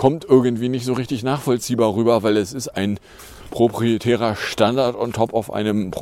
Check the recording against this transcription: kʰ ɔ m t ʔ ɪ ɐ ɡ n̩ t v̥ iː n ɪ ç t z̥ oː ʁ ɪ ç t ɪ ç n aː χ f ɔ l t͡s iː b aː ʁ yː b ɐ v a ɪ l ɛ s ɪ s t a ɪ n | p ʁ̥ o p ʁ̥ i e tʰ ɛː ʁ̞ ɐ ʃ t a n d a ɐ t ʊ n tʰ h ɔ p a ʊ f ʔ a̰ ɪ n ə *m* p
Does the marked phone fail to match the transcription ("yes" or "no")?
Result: no